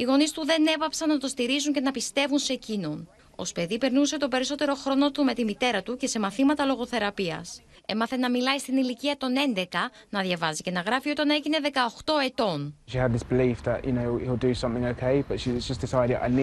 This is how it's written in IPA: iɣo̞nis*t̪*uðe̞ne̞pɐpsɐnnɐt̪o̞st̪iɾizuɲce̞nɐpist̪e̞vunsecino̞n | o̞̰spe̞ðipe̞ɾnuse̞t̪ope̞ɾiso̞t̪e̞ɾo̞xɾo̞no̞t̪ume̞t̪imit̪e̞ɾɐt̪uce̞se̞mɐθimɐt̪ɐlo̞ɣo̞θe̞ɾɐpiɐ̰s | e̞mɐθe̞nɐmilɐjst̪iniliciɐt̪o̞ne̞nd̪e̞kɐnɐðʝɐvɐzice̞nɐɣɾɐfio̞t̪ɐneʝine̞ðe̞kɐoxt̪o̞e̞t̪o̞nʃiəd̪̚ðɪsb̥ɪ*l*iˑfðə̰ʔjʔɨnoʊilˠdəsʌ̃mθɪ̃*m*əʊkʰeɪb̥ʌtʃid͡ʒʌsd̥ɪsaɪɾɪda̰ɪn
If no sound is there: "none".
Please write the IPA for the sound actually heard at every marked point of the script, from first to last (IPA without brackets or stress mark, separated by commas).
t̪, l, ŋ